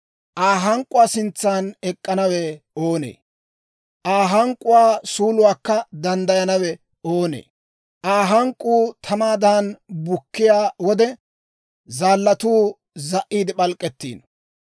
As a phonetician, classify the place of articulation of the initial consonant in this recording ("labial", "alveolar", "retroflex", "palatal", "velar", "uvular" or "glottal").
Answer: glottal